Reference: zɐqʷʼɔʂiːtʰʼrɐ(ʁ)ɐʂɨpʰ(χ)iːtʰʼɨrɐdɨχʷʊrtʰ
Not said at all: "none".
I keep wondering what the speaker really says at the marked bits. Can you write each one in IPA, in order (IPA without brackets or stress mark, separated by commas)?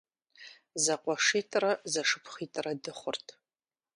z, χ